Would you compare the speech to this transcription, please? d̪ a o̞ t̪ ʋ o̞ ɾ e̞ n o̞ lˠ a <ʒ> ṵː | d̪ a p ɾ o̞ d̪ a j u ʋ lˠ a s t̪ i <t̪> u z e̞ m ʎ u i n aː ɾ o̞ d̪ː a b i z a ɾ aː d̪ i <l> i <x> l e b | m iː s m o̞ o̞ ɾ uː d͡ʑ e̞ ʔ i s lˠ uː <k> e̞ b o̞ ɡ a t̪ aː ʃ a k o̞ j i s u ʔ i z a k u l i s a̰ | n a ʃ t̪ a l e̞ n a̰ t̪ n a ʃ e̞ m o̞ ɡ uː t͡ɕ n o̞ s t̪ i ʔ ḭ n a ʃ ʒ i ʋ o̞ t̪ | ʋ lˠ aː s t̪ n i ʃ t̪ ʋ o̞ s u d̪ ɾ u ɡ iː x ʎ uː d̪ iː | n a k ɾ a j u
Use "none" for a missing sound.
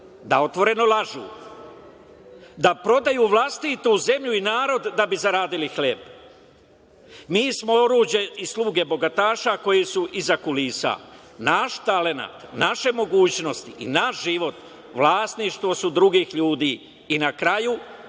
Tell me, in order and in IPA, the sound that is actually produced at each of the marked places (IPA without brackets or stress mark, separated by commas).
ʒ, t̪, l, x, ɡ